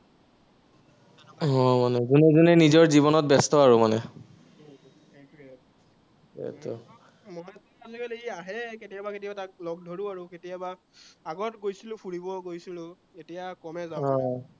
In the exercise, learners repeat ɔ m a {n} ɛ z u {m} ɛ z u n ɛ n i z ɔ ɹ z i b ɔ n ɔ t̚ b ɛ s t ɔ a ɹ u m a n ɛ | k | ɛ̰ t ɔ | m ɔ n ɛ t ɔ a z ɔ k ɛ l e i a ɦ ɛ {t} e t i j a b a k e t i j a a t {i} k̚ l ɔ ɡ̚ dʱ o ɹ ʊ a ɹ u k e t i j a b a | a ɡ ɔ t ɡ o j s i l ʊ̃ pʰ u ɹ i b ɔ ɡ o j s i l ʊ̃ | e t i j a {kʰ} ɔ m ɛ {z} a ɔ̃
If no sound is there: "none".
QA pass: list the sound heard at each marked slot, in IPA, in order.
n, n, k, a, k, z

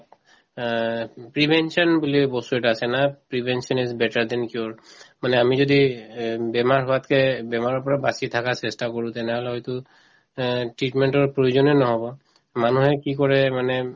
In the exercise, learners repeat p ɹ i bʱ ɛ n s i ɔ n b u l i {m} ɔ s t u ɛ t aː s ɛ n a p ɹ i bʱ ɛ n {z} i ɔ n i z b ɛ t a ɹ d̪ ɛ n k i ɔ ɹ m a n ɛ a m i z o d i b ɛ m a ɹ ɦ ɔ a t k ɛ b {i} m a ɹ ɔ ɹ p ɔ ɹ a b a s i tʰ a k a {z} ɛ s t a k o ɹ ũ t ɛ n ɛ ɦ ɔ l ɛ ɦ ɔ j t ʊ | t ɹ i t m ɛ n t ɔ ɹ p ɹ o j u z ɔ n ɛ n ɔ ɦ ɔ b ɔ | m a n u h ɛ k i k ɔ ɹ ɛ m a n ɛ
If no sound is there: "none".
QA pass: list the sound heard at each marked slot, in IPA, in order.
b, s, ɛ, s

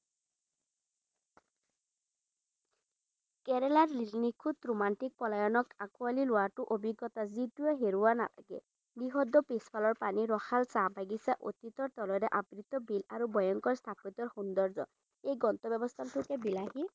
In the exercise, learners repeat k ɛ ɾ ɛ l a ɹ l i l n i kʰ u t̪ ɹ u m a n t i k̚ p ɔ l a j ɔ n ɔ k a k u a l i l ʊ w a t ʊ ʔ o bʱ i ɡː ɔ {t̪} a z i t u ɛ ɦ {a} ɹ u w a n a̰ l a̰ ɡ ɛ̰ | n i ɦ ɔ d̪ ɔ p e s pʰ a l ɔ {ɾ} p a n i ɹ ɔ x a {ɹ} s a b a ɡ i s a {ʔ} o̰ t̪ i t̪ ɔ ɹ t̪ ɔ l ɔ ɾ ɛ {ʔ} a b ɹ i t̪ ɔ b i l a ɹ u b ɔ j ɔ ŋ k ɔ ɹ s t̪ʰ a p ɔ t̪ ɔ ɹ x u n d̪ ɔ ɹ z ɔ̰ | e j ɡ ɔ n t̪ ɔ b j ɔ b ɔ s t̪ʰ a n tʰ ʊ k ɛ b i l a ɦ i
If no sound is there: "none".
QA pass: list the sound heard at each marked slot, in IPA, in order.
t̪, e, ɹ, l, ʔ, ʔ

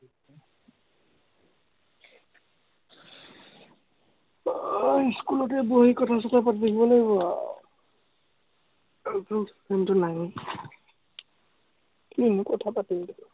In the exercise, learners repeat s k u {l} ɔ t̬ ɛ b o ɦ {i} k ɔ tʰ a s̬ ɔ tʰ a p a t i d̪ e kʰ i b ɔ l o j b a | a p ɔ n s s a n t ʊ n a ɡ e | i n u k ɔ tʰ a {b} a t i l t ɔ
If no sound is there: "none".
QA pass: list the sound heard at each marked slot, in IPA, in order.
l, i, p

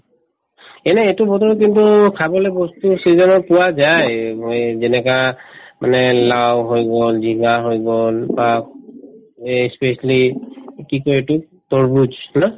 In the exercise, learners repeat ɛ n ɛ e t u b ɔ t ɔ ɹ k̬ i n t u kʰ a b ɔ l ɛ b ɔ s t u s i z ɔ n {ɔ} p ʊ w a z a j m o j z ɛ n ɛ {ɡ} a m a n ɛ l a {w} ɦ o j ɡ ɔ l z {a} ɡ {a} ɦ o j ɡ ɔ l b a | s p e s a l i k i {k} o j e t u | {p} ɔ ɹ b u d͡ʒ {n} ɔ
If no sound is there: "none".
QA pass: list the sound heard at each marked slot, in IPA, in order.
ɔ, k, w, i, a, k, t, n

